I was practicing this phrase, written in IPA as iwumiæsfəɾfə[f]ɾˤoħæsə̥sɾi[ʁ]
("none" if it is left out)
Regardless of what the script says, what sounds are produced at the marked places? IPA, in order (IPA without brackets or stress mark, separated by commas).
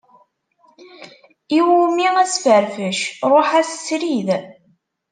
ʃ, ð